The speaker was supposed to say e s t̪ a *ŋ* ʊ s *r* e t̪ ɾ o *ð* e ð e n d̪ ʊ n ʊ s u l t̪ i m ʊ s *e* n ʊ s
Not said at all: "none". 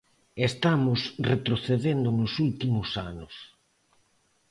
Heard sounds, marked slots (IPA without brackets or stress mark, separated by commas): m, r, θ, a